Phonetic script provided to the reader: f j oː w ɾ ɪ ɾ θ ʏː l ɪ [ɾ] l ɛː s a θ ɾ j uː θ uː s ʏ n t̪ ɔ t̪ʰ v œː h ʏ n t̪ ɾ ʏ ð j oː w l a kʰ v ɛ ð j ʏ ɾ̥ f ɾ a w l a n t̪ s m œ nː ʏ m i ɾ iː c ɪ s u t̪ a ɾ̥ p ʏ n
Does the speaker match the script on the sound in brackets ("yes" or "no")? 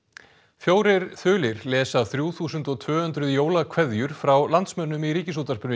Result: yes